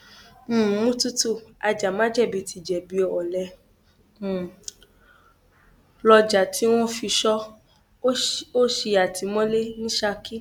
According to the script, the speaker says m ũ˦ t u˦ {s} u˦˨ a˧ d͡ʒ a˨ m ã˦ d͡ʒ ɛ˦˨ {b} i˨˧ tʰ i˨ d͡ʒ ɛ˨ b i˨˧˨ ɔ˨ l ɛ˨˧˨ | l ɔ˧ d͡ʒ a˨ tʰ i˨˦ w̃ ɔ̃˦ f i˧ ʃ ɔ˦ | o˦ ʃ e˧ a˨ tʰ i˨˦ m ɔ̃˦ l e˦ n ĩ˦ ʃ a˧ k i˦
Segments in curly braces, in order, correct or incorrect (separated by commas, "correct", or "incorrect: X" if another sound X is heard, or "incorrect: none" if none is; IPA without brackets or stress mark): incorrect: t, correct